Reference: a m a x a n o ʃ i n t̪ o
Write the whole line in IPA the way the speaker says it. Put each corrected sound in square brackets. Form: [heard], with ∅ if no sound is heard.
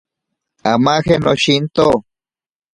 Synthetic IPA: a m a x [e] n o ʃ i n t̪ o